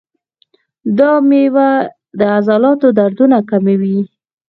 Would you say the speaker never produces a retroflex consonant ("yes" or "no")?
yes